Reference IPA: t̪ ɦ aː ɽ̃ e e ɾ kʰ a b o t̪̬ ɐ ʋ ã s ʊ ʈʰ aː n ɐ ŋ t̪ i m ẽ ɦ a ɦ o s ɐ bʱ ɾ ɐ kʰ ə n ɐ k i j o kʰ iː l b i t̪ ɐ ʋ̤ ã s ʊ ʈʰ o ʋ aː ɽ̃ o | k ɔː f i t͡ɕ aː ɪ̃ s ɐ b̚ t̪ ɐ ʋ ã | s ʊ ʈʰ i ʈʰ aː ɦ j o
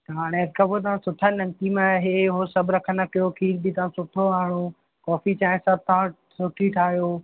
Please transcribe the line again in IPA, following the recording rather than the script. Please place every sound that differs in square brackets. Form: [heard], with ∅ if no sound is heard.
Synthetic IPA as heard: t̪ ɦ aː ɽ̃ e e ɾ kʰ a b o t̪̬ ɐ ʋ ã s ʊ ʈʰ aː n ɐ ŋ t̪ i m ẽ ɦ [e] ɦ o s ɐ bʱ ɾ ɐ kʰ ə n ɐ k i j o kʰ iː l b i t̪ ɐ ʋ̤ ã s ʊ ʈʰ o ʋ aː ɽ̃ o | k ɔː f i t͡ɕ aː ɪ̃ s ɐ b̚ t̪ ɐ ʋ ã | s ʊ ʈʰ i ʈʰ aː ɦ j o